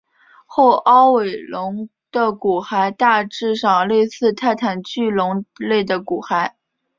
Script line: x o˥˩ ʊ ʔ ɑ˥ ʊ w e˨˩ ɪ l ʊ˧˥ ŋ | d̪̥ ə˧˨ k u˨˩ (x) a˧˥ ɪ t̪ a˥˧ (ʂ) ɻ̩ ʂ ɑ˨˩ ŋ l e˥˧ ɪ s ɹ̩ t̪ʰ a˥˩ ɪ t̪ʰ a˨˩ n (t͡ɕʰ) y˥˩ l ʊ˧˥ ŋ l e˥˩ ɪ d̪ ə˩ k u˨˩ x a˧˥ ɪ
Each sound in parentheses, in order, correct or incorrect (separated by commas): correct, incorrect, incorrect